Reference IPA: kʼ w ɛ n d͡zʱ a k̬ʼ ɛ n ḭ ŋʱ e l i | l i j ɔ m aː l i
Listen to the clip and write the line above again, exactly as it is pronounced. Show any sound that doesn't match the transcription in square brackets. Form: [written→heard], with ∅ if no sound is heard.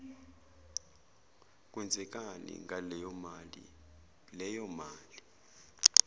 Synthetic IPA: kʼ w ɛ n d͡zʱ [a→ɛ] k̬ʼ [ɛ→a] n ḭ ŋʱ [e→a] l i | l [i→ɛ] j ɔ m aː l i